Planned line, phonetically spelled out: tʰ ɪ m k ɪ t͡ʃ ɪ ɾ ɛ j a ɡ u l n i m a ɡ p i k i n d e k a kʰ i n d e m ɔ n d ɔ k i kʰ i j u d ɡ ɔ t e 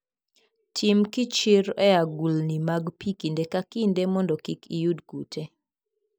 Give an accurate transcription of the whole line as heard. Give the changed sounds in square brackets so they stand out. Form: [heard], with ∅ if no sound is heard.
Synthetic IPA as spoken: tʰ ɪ m k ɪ t͡ʃ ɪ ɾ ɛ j a ɡ u l n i m a ɡ p i k i n d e k a [k] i n d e m ɔ n d ɔ k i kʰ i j u d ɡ [u] t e

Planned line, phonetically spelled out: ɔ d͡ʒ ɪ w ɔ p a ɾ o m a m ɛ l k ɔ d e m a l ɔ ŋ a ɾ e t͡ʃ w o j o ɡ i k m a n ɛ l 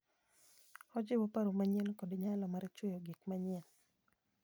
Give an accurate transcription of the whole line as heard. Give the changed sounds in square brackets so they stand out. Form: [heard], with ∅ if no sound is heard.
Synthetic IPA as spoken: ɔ d͡ʒ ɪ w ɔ p a ɾ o m a [ɲ] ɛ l k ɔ d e [ɲ] a l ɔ [m] a ɾ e t͡ʃ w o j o ɡ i k m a [ɲ] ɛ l

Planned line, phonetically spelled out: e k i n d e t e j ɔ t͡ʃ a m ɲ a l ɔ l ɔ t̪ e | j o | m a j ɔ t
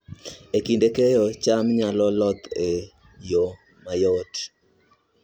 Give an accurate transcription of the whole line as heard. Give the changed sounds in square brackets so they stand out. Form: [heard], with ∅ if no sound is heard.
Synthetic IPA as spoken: e k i n d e [k] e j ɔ t͡ʃ a m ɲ a l ɔ l ɔ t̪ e | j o | m a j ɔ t

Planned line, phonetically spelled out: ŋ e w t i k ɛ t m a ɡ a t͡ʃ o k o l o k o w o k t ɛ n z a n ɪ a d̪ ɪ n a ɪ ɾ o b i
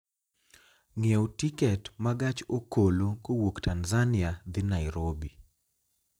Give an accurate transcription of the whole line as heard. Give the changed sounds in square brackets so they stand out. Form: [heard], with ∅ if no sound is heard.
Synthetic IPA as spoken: ŋ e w t i k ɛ t m a ɡ a t͡ʃ o k o l o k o w o k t [a] n z a n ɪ a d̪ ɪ n a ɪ ɾ o b i

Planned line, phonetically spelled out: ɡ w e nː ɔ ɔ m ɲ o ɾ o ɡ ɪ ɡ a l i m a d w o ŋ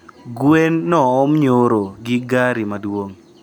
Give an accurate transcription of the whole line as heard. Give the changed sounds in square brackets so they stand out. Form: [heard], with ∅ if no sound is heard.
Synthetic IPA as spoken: ɡ w e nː ɔ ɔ m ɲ o ɾ o ɡ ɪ ɡ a [ɾ] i m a d w o ŋ

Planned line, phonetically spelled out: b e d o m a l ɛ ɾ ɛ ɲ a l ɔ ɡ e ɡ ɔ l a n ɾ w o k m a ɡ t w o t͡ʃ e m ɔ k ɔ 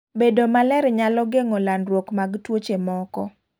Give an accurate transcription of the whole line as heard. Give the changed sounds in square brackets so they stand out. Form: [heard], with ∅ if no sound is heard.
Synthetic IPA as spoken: b e d o m a l ɛ ɾ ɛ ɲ a l ɔ ɡ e [ŋ] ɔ l a n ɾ w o k m a ɡ t w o t͡ʃ e m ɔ k ɔ

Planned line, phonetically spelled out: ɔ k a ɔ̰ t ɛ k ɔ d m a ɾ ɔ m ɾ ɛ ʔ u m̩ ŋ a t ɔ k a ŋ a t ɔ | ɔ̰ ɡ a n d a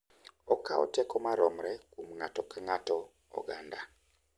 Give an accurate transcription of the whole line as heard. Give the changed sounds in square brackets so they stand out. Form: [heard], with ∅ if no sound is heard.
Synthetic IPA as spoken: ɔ k a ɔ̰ t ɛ k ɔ [∅] m a ɾ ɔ m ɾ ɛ [k] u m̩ ŋ a t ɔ k a ŋ a t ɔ | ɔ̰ ɡ a n d a

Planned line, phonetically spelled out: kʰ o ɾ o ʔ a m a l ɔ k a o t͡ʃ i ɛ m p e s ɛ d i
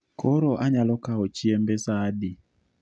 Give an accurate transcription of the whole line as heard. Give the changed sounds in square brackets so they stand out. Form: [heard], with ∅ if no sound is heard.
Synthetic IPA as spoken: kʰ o ɾ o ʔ a [ɲ] a l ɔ k a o t͡ʃ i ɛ m [b] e s [a] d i

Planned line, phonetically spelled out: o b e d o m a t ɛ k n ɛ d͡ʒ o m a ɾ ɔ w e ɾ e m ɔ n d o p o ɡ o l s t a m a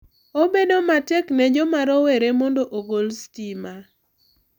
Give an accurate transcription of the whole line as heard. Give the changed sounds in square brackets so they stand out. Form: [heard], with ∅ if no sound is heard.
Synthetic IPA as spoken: o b e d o m a t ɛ k n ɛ d͡ʒ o m a ɾ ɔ w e ɾ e m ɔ n d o [ʔ] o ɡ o l s t [i] m a

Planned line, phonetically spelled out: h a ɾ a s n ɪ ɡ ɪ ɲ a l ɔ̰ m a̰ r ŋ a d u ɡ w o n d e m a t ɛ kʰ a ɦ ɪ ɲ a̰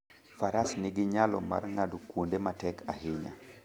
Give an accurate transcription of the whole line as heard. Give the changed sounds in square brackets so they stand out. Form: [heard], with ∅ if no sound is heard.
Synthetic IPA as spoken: [f] a ɾ a s n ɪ ɡ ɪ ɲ a l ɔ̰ m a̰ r ŋ a d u [k] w o n d e m a t ɛ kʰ a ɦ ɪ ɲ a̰

